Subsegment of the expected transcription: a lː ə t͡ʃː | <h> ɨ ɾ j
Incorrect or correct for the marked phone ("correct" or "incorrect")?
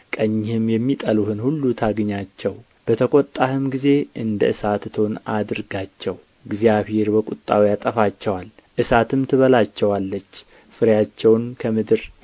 incorrect